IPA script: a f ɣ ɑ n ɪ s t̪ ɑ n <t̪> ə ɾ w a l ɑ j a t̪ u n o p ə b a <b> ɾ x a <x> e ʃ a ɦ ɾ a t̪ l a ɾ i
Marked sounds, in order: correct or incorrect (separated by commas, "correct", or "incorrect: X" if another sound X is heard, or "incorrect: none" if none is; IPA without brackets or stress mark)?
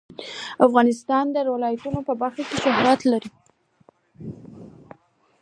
incorrect: d̪, incorrect: none, incorrect: k